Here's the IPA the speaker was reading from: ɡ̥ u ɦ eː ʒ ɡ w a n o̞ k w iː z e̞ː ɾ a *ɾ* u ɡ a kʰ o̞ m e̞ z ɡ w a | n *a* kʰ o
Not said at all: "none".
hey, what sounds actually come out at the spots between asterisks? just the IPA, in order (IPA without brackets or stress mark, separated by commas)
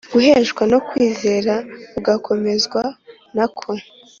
none, a